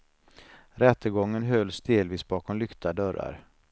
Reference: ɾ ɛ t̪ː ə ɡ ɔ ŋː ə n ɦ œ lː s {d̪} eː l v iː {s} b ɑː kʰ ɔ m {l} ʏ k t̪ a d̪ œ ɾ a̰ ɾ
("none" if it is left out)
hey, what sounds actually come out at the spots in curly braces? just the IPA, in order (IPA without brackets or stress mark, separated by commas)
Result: d̪, s, l